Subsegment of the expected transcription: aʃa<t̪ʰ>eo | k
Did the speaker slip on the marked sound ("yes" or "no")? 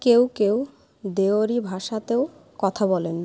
yes